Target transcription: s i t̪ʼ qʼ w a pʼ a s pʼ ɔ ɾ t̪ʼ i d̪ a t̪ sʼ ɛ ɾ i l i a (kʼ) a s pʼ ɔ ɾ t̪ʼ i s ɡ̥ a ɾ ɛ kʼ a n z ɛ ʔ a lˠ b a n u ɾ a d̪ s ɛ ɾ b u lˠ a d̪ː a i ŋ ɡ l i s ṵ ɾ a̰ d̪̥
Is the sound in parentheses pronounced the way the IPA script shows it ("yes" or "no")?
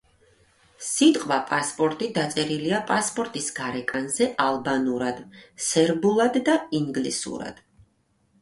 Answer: no